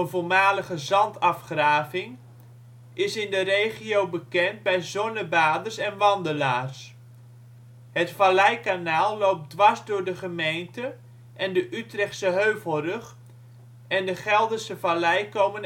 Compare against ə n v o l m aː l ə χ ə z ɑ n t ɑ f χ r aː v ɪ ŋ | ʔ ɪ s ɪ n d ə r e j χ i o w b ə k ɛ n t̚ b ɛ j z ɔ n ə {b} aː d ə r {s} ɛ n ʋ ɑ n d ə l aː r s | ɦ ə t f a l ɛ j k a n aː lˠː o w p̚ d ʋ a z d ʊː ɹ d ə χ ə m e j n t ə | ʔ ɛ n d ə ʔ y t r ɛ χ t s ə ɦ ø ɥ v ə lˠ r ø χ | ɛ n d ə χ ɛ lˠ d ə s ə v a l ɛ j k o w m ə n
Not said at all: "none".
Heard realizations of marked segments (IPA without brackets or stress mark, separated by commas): b, s